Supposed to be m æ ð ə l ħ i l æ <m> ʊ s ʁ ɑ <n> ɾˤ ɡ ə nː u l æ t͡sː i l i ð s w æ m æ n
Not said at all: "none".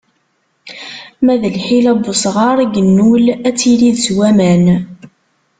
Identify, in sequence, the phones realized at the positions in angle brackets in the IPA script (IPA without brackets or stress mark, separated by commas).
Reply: b, none